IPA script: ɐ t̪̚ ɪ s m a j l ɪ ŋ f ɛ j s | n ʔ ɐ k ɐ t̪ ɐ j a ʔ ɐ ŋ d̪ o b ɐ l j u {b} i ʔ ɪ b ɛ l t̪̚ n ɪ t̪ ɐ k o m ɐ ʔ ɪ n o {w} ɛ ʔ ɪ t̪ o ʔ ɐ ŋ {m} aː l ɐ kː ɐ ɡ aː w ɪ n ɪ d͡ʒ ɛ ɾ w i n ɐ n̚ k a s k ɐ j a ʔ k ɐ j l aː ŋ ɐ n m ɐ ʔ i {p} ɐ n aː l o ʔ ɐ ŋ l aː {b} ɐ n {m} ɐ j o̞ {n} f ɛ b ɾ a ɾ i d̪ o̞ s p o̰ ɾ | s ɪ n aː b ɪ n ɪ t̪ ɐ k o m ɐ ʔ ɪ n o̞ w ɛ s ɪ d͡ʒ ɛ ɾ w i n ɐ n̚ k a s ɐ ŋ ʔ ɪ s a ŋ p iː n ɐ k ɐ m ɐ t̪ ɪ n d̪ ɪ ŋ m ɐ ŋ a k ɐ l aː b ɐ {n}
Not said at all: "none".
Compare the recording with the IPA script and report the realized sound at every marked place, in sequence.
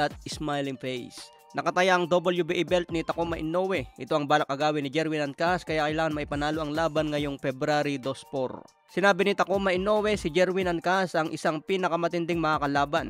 b, w, b, p, b, ŋ, ŋ, n

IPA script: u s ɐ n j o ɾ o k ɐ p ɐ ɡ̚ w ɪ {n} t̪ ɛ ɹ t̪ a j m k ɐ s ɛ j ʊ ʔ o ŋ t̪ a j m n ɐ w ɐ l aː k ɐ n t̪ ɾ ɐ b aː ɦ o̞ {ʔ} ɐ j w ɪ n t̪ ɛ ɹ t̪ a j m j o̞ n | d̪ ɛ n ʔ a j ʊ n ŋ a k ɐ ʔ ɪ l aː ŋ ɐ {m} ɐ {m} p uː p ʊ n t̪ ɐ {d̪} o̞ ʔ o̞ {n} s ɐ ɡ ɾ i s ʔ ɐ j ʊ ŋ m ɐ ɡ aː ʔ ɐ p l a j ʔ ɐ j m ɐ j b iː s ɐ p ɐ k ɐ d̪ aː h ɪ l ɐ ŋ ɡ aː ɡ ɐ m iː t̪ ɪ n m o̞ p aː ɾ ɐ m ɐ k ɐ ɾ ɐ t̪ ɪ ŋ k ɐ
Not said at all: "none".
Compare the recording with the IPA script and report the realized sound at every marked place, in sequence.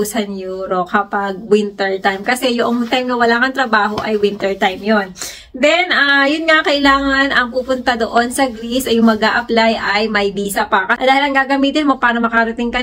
n, ʔ, n, ŋ, d̪, n

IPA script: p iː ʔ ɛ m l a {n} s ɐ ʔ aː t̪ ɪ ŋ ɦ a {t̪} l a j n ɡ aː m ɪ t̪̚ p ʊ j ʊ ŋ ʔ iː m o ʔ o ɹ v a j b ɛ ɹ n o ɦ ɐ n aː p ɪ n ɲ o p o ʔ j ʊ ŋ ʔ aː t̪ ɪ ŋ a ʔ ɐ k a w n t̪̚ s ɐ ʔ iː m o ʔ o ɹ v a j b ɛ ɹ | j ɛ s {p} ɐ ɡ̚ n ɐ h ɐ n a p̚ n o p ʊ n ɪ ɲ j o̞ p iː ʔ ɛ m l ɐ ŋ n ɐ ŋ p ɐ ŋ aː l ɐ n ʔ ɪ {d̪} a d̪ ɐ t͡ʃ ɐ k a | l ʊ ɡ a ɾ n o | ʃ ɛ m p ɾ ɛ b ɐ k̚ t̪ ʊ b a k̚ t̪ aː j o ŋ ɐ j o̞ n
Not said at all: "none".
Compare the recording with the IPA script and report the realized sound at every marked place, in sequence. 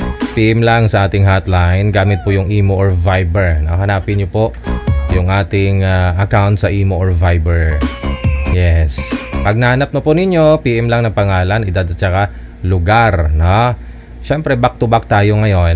ŋ, t̪, p, d̪

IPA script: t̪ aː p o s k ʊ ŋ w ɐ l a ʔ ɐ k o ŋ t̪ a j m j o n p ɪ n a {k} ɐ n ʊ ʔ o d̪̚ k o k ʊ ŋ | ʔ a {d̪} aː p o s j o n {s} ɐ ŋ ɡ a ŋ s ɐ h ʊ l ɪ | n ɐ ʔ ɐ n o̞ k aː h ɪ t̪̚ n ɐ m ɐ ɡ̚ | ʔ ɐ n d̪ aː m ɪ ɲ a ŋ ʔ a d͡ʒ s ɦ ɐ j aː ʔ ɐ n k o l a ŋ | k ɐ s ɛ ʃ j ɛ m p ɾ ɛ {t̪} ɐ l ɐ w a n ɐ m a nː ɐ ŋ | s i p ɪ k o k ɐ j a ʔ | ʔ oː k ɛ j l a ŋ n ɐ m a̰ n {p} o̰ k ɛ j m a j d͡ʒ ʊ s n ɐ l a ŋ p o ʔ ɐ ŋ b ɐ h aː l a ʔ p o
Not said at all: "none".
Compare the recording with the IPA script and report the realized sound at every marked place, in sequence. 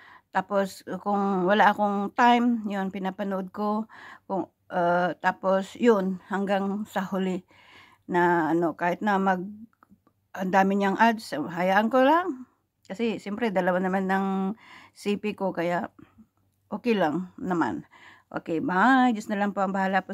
p, t̪, h, d̪, ʔ

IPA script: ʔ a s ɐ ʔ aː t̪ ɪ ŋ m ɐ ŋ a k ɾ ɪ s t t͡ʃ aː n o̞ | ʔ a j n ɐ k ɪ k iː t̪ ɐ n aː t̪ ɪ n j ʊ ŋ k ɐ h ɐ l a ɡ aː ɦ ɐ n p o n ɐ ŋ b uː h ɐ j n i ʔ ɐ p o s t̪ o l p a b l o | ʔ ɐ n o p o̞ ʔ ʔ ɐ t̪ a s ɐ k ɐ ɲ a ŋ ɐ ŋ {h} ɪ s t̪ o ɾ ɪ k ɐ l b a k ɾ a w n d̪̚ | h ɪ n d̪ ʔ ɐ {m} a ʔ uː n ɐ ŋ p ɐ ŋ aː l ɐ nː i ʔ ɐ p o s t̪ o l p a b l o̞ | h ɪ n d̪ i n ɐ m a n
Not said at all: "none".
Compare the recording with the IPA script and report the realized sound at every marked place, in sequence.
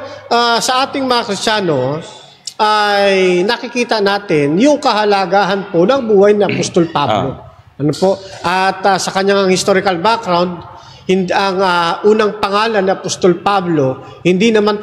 h, ŋ

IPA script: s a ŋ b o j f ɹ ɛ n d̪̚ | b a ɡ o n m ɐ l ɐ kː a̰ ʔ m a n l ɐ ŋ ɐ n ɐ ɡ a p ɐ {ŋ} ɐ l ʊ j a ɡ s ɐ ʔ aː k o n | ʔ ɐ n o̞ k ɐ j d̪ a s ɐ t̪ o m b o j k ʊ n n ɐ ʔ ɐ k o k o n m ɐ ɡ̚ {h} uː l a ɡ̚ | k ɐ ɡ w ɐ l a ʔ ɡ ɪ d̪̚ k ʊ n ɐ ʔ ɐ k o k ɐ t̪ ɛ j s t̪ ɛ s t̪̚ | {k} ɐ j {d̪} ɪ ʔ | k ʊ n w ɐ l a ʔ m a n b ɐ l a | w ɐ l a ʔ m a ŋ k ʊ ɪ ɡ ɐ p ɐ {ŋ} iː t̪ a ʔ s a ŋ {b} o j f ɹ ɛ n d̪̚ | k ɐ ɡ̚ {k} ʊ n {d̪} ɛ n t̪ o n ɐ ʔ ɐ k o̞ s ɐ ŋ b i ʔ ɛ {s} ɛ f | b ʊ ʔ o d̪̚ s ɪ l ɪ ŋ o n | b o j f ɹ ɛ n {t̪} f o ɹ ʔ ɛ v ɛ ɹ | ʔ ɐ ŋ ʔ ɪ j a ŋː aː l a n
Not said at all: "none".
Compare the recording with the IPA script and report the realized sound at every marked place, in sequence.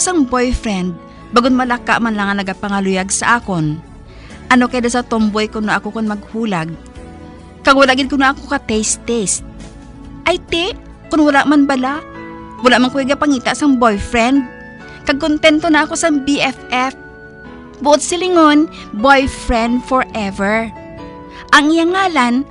ŋ, h, ʔ, t̪, ŋ, b, k, t̪, f, d̪

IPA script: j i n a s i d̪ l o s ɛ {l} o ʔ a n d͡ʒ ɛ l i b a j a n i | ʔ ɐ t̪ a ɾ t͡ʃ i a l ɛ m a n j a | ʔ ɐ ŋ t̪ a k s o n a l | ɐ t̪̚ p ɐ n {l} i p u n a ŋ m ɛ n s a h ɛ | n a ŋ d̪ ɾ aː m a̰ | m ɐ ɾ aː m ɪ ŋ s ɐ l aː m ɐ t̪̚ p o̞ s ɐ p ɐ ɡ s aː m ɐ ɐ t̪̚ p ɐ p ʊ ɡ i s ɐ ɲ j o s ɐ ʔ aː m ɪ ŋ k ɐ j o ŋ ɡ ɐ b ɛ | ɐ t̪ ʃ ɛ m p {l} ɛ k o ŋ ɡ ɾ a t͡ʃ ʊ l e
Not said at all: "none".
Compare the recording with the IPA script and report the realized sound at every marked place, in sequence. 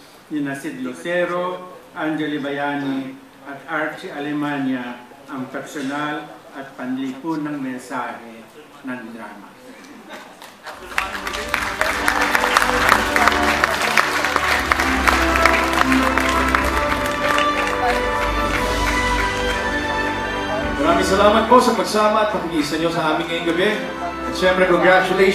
ɾ, l, ɾ

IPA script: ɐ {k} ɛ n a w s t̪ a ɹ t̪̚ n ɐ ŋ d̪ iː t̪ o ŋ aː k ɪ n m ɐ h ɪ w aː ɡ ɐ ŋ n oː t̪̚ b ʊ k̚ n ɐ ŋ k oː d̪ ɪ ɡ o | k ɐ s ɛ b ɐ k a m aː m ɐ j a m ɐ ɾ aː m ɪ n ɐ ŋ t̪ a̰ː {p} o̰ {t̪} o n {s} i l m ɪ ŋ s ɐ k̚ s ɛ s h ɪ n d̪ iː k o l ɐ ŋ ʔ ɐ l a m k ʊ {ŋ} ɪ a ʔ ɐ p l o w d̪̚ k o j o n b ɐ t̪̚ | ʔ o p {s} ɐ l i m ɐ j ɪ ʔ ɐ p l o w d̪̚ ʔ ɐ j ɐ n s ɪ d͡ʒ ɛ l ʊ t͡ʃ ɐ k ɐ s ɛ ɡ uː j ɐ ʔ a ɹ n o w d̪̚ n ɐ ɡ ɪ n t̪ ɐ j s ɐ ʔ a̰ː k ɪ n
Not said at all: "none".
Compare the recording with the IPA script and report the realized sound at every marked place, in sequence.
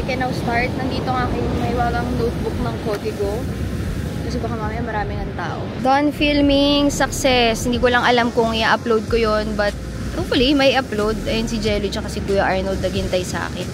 k, ʔ, d̪, f, ŋ, f

